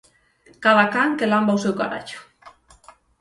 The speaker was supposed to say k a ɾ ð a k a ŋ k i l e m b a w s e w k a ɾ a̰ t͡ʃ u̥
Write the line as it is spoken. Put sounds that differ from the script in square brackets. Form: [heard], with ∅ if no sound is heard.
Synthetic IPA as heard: k a [∅] ð a k a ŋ k [e] l [a] m b a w s e w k a ɾ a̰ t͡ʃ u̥